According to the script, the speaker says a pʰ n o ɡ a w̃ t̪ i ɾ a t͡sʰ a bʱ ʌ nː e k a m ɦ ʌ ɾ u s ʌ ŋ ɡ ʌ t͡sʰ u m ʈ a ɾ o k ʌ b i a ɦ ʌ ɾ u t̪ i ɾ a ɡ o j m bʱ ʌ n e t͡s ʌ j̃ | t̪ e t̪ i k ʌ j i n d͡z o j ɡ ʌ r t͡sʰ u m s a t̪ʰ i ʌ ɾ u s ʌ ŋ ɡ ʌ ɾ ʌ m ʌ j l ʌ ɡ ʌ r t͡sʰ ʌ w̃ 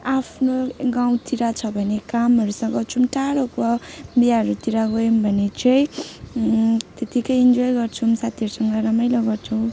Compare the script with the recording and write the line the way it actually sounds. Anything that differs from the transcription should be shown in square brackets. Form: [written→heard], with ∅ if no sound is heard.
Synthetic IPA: a pʰ n o ɡ a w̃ t̪ i ɾ a t͡sʰ [a→ʌ] bʱ ʌ [nː→n] e k a m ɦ ʌ ɾ u s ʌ ŋ ɡ ʌ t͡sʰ u m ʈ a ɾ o k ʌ b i a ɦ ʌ ɾ u t̪ i ɾ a ɡ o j m bʱ ʌ n e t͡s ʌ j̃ | t̪ e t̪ i k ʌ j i n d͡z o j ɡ ʌ r t͡sʰ u m s a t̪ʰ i ʌ ɾ u s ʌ ŋ ɡ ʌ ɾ ʌ m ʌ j l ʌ ɡ ʌ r t͡sʰ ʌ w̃